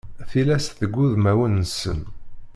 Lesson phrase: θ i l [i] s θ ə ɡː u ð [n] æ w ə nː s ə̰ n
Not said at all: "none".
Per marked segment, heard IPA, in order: æ, m

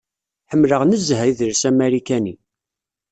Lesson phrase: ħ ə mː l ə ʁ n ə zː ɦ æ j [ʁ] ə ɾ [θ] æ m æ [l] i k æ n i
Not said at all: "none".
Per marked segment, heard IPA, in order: ð, s, ɾ

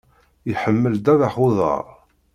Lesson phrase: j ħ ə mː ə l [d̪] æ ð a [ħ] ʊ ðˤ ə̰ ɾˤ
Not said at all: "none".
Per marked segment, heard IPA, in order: d̪, ħ

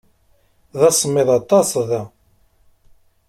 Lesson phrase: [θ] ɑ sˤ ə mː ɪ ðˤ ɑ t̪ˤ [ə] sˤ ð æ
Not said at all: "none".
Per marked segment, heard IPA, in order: ð, ɑ

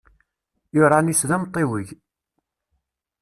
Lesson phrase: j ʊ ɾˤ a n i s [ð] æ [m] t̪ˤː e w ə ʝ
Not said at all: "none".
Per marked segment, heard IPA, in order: ð, m

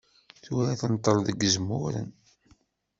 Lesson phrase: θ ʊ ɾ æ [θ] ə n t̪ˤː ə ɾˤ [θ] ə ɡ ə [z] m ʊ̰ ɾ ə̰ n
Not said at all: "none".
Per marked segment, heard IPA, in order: θ, ð, z

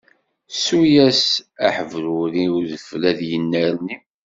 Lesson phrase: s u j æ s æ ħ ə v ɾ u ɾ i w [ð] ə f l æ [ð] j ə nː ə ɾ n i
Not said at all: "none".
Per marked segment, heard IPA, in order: ð, ð

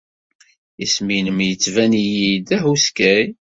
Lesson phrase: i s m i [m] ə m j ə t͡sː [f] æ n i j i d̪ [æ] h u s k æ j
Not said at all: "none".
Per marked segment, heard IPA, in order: n, v, æ

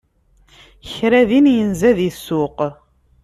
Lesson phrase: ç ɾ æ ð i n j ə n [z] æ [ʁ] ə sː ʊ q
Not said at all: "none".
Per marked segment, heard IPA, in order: z, ð

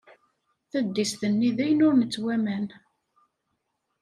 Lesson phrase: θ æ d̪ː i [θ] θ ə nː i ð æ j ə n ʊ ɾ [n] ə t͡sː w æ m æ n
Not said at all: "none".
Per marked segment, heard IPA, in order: s, n

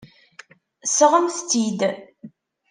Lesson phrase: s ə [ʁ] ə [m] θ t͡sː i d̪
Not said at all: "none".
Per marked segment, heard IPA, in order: ʁ, m

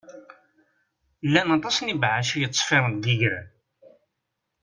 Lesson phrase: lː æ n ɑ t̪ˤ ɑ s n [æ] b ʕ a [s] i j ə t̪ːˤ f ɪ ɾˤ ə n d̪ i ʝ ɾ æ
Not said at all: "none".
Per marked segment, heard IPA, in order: i, ʃ

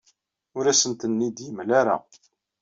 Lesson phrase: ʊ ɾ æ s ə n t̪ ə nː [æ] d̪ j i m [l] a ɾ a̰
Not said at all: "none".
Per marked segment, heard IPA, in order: i, l

